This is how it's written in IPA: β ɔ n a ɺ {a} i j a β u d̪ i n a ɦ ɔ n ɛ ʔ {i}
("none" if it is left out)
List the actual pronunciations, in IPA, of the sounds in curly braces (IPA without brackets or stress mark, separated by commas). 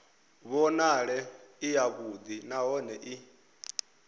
ɛ, i